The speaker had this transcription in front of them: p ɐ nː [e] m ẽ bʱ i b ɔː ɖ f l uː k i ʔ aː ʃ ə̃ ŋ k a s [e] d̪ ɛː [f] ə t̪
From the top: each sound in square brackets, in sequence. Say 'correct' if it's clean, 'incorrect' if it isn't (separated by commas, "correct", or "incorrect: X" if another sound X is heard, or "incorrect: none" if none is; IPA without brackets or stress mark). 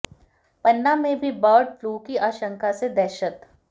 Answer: incorrect: a, correct, incorrect: ʃ